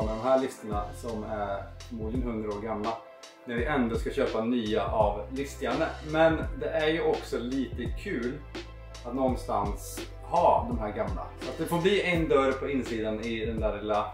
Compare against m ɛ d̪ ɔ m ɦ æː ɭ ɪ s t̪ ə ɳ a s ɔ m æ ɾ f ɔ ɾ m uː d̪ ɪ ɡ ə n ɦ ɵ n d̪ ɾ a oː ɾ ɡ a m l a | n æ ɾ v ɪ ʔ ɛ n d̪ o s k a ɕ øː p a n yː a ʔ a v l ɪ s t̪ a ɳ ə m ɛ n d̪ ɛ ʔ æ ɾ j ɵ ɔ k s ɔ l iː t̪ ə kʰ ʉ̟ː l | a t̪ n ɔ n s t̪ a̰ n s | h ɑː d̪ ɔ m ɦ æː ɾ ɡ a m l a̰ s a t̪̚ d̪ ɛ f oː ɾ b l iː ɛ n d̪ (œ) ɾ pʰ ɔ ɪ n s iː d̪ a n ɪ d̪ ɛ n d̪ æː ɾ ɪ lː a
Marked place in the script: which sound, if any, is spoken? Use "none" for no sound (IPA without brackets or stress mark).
œ